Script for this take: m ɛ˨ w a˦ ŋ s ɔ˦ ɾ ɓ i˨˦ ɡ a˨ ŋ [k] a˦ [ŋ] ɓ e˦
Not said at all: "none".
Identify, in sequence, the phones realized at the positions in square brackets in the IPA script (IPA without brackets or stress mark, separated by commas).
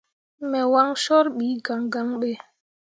ɡ, ŋ